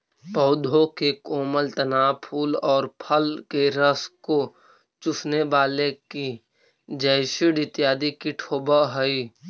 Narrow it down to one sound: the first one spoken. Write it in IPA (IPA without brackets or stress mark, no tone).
p